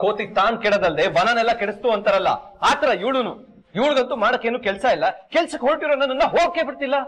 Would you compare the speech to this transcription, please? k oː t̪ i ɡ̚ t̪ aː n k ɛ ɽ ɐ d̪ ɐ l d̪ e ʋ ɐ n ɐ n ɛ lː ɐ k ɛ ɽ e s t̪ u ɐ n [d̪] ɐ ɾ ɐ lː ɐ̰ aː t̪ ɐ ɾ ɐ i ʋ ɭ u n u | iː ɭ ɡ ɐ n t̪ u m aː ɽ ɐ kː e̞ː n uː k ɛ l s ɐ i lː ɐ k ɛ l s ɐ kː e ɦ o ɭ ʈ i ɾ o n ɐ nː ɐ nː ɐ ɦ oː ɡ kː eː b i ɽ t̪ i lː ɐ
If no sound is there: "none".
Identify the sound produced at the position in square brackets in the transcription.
t̪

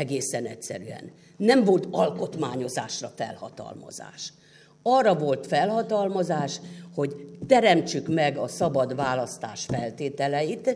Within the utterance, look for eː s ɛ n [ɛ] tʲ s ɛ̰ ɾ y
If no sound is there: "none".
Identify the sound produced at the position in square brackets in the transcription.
ɛ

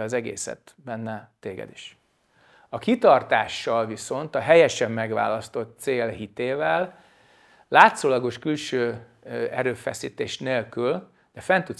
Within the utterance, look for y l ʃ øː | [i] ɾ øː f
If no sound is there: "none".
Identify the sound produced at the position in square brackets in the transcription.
ɛ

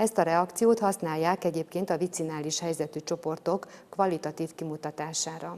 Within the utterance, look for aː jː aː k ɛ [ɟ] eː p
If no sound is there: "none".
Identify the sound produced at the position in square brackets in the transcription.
ɟ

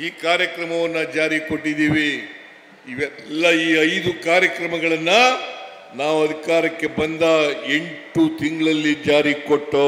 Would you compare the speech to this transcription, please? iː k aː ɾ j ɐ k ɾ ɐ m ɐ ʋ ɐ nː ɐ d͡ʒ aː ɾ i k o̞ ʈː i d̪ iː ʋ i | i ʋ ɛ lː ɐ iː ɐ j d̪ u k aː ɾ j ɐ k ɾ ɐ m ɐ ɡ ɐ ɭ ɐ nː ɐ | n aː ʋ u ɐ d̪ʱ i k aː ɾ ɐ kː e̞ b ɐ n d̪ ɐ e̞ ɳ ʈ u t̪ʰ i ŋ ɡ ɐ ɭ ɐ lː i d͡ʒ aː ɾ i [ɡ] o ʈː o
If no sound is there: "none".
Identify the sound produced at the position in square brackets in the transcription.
k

